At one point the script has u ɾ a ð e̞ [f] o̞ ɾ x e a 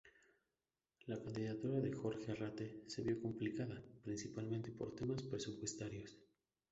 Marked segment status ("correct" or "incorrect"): incorrect